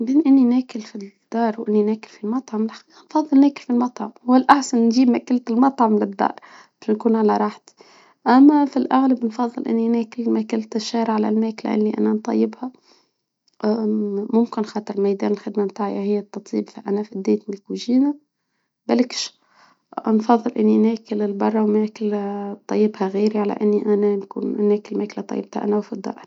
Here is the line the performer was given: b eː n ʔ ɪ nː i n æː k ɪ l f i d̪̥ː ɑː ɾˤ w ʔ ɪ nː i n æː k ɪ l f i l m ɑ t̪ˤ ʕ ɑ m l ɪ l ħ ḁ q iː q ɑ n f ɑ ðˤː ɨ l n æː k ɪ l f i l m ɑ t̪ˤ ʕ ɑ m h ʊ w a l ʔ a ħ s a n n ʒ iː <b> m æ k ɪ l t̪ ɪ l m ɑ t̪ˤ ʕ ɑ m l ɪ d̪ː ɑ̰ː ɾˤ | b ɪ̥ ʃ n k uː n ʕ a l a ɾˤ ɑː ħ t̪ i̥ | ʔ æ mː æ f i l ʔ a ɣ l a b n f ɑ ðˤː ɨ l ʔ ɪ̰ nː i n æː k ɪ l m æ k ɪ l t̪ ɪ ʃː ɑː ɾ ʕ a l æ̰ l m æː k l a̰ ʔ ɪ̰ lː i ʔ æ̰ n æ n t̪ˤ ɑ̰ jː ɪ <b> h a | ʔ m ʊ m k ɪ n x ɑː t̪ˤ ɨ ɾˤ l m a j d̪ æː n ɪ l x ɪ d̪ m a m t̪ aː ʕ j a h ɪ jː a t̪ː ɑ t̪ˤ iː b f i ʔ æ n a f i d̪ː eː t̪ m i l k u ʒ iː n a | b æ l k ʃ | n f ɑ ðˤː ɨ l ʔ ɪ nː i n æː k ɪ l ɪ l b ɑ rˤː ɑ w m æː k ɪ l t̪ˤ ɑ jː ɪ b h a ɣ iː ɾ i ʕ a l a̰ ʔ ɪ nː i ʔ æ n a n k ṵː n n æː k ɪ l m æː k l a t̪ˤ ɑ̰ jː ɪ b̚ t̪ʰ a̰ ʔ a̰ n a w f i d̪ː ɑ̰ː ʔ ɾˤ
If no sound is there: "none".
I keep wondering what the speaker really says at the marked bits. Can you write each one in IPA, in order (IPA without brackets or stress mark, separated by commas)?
b, b